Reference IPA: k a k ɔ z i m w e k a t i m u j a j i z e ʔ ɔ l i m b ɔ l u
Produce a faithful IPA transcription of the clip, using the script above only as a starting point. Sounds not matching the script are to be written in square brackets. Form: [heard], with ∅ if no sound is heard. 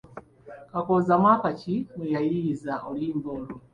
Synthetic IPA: k a k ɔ z [a] m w [a] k a [t͡ʃ] i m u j a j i z [a] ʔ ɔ l i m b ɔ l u